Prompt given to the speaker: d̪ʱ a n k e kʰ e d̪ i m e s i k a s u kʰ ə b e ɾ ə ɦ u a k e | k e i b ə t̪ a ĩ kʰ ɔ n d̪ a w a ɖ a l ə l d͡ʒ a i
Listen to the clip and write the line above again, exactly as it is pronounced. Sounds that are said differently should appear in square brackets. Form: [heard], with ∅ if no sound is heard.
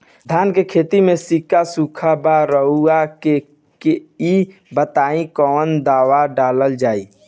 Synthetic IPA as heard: d̪ʱ a n k e kʰ e [t̪] i m e s i k a s u kʰ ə b [a] ɾ ə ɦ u a k e | k e i b ə t̪ a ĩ [k] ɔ n d̪ a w a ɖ a l ə l d͡ʒ a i

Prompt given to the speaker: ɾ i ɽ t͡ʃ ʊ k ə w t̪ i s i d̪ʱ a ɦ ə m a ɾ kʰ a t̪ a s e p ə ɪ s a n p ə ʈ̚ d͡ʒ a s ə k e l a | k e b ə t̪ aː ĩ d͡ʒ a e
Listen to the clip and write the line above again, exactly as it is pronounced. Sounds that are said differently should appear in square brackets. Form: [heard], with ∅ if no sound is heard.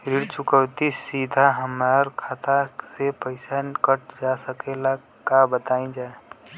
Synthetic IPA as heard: ɾ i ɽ t͡ʃ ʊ k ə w t̪ i s i d̪ʱ a ɦ ə m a ɾ kʰ a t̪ a s e p ə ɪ s a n [k] ə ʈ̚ d͡ʒ a s ə k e l a | k [a] b ə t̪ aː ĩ d͡ʒ a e

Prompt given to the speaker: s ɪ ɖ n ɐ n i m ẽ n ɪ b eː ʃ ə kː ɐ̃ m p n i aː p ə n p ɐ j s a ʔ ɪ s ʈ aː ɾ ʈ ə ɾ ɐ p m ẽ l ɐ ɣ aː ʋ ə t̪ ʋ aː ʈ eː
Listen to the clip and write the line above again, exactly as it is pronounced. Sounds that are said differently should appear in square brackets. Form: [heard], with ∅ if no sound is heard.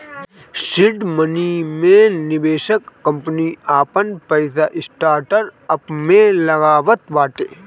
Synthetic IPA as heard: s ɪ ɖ [m] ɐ n i m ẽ n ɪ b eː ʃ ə kː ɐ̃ m p n i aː p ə n p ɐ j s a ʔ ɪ s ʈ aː ɾ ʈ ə ɾ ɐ p m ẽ l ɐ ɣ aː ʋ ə t̪ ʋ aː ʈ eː

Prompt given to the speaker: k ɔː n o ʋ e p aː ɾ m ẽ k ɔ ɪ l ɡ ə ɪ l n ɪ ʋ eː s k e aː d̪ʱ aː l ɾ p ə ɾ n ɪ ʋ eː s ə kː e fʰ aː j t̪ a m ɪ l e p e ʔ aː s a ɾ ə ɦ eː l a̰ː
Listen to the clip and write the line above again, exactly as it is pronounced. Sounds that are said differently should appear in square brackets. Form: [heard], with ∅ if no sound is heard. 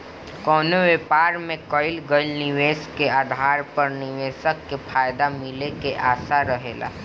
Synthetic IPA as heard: k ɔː n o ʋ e p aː ɾ m ẽ k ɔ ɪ l ɡ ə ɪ l n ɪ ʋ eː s k e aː d̪ʱ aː [∅] ɾ p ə ɾ n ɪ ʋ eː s ə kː e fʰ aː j [d̪] a m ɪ l e [k] e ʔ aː s a ɾ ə ɦ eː l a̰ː

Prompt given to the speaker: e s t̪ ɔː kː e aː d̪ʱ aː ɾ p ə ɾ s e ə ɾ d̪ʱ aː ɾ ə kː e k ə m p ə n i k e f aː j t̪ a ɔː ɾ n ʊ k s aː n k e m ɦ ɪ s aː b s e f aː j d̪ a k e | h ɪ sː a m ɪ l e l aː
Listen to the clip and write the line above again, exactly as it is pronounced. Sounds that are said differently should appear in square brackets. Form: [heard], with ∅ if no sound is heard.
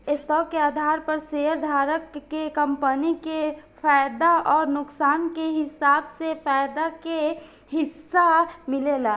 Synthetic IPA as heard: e s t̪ ɔː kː e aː d̪ʱ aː ɾ p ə ɾ s e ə ɾ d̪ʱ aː ɾ ə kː e k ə m p ə n i k e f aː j [d̪] a ɔː ɾ n ʊ k s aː n k e [∅] ɦ ɪ s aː b s e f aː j d̪ a k e | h ɪ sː a m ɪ l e l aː

